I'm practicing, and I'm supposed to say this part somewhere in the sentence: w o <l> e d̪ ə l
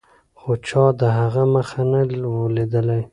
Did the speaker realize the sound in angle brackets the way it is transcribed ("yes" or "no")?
yes